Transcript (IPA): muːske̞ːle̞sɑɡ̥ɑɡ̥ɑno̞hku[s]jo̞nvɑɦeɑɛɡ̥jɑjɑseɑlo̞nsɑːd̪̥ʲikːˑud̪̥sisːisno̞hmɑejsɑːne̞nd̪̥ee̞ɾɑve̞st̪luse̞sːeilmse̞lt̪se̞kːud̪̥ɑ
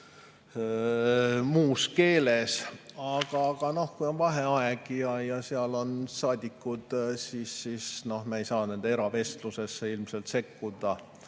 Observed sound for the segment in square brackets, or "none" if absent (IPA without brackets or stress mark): none